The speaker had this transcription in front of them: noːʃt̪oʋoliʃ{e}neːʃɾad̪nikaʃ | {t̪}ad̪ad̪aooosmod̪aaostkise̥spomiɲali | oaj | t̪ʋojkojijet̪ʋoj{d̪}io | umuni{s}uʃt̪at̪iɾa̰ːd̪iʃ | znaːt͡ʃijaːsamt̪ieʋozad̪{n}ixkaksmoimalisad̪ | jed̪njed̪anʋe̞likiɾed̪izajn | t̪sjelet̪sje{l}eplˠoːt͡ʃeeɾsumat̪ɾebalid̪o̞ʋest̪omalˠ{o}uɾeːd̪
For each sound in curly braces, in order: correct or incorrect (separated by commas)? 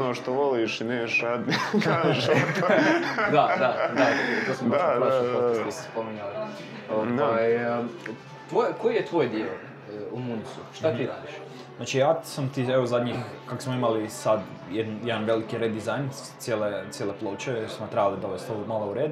incorrect, incorrect, correct, correct, incorrect, correct, correct